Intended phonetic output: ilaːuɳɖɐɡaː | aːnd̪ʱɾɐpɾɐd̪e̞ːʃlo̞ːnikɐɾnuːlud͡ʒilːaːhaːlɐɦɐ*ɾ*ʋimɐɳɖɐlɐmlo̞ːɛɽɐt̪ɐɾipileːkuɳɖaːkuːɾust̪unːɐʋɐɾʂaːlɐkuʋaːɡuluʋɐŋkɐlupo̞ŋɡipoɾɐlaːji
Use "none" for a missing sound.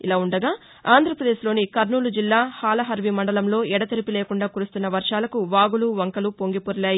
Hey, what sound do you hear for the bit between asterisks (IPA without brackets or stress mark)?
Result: ɾ